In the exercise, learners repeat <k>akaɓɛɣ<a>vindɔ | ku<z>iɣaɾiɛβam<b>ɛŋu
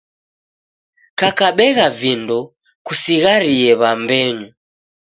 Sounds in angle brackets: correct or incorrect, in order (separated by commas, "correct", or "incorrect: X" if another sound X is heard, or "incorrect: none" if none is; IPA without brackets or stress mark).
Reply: correct, correct, incorrect: s, correct